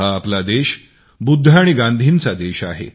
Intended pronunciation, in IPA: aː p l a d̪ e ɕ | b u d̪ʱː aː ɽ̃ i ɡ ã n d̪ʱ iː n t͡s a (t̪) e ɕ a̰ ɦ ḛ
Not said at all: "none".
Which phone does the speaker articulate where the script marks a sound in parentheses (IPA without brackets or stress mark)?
d̪